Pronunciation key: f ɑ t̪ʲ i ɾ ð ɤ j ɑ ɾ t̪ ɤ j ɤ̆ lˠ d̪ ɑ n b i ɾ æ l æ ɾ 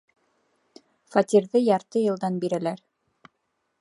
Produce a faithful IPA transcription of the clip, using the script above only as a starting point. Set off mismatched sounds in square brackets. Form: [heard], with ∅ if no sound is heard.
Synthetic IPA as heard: f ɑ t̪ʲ i ɾ ð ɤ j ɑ ɾ t̪ ɤ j ɤ̆ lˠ d̪ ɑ n b i ɾ æ l æ ɾ